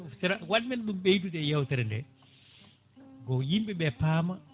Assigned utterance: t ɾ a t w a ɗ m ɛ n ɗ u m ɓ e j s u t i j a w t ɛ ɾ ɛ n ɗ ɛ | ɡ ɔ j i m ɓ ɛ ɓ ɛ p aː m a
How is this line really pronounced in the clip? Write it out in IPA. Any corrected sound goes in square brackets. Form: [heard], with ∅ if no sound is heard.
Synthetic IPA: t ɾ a [∅] w a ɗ m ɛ n ɗ u m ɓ e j [t] u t [ɛ] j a w t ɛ ɾ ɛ n [d] ɛ | ɡ ɔ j i m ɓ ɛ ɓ ɛ p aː m a